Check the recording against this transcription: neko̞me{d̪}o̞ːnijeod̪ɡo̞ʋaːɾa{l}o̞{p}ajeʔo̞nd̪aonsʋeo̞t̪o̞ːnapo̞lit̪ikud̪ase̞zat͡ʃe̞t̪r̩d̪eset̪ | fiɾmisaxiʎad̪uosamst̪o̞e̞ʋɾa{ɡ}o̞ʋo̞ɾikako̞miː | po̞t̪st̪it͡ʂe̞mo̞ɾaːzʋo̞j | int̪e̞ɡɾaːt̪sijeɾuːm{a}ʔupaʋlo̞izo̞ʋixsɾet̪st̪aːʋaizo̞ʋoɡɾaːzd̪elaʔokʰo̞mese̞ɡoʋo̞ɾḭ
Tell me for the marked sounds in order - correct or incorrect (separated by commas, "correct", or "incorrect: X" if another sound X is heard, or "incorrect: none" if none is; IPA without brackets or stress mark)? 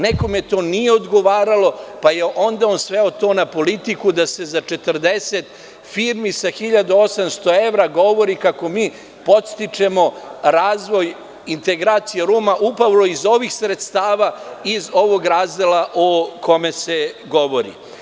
incorrect: t̪, correct, correct, correct, correct